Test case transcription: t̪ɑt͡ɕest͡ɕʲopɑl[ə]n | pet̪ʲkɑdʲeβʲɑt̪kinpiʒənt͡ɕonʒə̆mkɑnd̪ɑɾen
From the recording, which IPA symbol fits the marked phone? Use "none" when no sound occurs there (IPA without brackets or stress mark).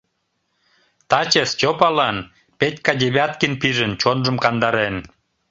ɑ